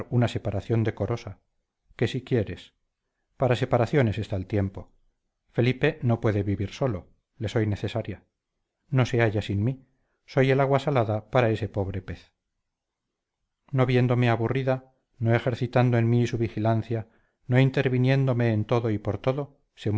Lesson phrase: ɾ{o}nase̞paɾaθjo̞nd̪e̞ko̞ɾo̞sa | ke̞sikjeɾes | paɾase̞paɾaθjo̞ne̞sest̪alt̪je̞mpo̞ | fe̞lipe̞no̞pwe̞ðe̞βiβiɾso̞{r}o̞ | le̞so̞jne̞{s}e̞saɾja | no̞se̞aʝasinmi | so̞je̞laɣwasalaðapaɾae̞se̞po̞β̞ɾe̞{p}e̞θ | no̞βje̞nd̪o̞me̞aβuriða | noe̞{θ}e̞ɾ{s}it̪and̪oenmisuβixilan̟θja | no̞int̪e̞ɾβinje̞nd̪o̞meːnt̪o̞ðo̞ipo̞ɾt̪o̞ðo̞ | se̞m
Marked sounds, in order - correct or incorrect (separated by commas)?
incorrect, incorrect, incorrect, correct, incorrect, incorrect